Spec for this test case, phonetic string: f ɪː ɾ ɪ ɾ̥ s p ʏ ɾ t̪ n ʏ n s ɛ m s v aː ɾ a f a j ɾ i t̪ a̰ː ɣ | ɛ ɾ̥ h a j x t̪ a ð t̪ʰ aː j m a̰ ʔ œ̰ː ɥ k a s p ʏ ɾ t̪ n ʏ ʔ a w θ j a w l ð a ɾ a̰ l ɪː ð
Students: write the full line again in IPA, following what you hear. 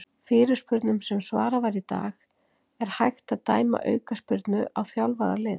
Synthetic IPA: f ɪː ɾ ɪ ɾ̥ s p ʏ ɾ t̪ n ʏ m s ɛ m s v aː ɾ a v a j ɾ i t̪ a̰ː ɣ | ɛ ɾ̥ h a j x t̪ a ð t̪ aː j m a̰ ʔ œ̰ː ɥ k a s p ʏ ɾ t̪ n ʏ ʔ a w θ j a w l v a ɾ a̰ l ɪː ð